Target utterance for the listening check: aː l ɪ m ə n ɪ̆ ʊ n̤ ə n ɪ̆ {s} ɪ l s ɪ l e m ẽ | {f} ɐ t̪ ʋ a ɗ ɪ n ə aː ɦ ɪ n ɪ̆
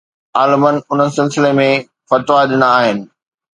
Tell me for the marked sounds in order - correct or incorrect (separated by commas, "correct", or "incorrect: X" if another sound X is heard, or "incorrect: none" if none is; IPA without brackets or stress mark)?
correct, correct